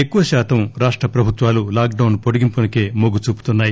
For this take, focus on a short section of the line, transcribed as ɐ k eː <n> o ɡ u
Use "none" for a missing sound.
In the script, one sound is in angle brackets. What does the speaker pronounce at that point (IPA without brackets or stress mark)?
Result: m